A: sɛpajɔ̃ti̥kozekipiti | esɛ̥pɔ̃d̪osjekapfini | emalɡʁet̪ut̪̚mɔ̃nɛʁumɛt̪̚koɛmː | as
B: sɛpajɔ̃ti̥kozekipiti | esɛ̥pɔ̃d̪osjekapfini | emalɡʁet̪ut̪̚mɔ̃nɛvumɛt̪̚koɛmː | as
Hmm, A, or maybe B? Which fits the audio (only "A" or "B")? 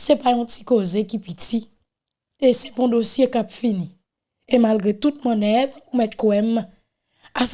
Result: B